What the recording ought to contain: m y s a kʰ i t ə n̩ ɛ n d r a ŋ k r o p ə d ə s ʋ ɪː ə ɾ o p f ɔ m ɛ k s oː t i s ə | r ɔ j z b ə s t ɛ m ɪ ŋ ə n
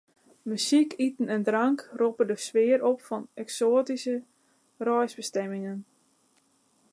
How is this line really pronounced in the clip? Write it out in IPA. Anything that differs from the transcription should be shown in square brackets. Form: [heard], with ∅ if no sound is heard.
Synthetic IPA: m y s [i] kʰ i t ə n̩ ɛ n d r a ŋ k r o p ə d ə s ʋ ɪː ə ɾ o p f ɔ [n] ɛ k s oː t i s ə | r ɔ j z b ə s t ɛ m ɪ ŋ ə n